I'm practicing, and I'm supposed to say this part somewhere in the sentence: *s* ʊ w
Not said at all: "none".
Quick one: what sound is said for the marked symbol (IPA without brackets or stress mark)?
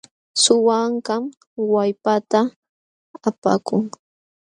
s